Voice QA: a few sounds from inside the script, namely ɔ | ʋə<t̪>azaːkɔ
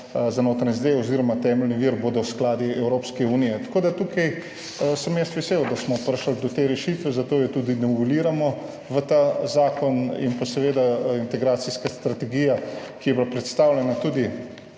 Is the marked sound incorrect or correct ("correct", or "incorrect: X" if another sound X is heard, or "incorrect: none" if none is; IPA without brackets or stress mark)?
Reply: correct